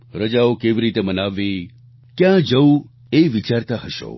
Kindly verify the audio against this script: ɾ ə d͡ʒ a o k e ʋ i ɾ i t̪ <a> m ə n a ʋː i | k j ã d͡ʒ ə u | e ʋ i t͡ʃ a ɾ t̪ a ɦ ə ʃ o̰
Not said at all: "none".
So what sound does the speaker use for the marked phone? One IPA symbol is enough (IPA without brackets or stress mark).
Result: e